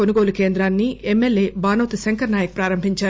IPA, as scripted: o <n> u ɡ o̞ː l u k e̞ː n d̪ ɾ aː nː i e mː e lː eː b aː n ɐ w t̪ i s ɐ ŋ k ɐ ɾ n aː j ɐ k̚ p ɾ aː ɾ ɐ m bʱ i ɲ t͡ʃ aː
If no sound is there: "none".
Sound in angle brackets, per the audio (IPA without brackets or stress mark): n